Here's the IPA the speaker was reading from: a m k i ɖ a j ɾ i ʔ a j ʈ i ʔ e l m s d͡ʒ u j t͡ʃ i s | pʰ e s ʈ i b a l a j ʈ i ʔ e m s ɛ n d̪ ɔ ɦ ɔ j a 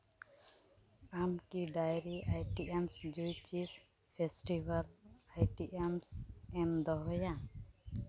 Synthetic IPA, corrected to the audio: a m k i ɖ a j ɾ i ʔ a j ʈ i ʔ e m s d͡ʒ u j t͡ʃ i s | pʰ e s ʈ i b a l a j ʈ i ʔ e m s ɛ m d̪ ɔ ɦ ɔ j a

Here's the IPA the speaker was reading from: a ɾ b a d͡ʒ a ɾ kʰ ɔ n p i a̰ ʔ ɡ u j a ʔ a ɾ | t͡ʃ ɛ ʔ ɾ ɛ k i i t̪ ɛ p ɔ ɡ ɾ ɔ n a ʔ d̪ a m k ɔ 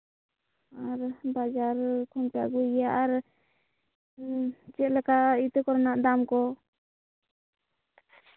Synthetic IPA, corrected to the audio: a ɾ b a d͡ʒ a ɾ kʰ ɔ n p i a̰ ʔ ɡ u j a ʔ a ɾ | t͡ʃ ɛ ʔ l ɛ k a i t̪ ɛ k ɔ ɾ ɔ n a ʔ d̪ a m k ɔ

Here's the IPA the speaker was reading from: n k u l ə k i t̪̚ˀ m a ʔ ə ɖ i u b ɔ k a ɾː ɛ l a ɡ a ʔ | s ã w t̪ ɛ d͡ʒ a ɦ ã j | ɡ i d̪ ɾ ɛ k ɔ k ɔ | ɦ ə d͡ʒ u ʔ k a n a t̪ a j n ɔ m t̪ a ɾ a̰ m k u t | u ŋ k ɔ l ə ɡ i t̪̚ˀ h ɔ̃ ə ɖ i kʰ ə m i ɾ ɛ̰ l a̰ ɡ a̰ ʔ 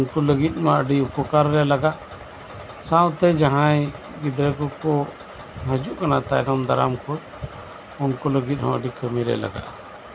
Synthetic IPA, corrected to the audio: n k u l ə ɡ i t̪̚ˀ m a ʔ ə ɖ i u p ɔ k a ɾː ɛ l a ɡ a ʔ | s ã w t̪ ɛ d͡ʒ a ɦ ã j | ɡ i d̪ ɾ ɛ k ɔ k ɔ | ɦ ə d͡ʒ u ʔ k a n a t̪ a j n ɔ m d̪ a ɾ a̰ m k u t | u n k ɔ l ə ɡ i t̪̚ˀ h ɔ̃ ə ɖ i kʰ ə m i ɾ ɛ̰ l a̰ ɡ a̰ ʔ

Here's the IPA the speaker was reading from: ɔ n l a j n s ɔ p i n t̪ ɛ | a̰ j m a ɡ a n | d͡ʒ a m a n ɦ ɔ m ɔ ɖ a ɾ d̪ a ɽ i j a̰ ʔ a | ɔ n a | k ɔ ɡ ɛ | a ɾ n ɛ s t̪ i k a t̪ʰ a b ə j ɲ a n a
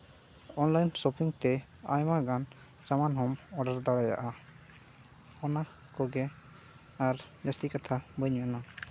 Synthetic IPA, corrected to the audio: ɔ n l a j n s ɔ p i ŋ t̪ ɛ | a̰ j m a ɡ a n | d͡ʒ a m a n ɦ ɔ m ɔ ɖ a ɾ d̪ a ɽ a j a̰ ʔ a | ɔ n a | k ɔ ɡ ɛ | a ɾ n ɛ s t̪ i k a t̪ʰ a b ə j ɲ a n a

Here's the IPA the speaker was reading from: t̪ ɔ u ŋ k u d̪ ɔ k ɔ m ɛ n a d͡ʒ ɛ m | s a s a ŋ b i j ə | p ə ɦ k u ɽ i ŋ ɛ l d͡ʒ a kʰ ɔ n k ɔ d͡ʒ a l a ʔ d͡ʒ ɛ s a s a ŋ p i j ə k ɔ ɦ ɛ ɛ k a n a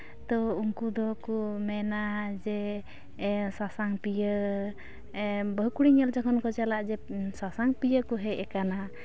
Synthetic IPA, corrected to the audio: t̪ ɔ u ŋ k u d̪ ɔ k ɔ m ɛ n a d͡ʒ ɛ | s a s a ŋ p i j ə | b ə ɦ k u ɽ i ŋ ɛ l d͡ʒ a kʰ ɔ n k ɔ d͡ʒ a l a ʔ d͡ʒ ɛ s a s a ŋ p i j ə k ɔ ɦ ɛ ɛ k a n a

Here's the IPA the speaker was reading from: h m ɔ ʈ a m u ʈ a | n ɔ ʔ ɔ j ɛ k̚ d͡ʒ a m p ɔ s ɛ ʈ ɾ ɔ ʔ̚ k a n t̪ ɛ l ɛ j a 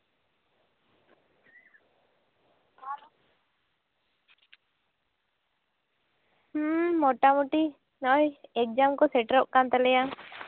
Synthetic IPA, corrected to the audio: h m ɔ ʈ a m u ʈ i | n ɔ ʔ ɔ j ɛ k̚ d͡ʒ a m k ɔ s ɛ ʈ ɾ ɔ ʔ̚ k a n t̪ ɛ l ɛ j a

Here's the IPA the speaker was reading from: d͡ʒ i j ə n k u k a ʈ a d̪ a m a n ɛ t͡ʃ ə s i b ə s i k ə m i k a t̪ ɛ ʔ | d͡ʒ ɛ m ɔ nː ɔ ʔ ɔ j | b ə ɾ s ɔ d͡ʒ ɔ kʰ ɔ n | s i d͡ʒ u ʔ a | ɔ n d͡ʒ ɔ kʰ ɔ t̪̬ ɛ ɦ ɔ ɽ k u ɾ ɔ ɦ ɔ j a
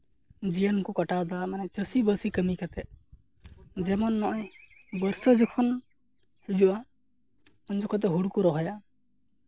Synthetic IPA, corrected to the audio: d͡ʒ i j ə n k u k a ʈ a d̪ a m a n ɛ t͡ʃ ə s i b ə s i k ə m i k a t̪ ɛ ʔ | d͡ʒ ɛ m ɔ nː ɔ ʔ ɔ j | b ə ɾ s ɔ d͡ʒ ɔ kʰ ɔ n | h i d͡ʒ u ʔ a | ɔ n d͡ʒ ɔ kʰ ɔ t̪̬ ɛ ɦ u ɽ k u ɾ ɔ ɦ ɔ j a

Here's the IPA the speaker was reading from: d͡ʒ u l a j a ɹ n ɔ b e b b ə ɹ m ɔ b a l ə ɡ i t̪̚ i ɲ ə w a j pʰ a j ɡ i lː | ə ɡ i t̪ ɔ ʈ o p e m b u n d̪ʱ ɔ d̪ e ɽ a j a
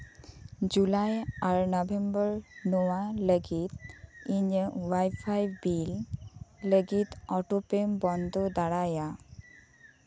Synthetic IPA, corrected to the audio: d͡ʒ u l a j a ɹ n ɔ b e m b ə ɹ n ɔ w a l ə ɡ i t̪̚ i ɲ ə w a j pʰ a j b i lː | ə ɡ i t̪ ɔ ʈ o p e m b ɔ n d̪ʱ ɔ d̪ a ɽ a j a

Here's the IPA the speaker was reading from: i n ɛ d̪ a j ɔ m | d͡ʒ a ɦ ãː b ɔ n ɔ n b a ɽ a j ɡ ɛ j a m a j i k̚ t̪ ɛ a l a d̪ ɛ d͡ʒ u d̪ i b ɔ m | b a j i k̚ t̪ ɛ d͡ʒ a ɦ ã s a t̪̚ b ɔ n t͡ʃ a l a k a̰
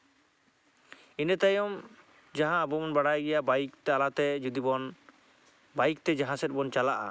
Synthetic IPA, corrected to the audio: i n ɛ t̪ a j ɔ m | d͡ʒ a ɦ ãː b ɔ m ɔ n b a ɽ a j ɡ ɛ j a b a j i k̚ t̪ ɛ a l a t̪ ɛ d͡ʒ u d̪ i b ɔ n | b a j i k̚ t̪ ɛ d͡ʒ a ɦ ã s ɛ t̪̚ b ɔ n t͡ʃ a l a ʔ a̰

